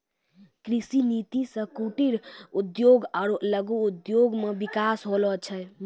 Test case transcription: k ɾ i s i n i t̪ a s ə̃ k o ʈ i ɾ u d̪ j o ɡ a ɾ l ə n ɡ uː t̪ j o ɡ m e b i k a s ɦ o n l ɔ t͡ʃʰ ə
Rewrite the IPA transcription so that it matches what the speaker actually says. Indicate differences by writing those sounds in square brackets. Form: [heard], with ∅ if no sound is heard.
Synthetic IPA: k ɾ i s i n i t̪ [i] s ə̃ k [u] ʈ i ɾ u d̪ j o ɡ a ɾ l ə [∅] ɡ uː [d̪] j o ɡ m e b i k a s ɦ o [∅] l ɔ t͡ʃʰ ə